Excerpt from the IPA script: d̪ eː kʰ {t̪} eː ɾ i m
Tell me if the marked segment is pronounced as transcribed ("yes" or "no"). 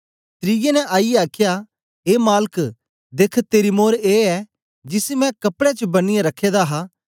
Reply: yes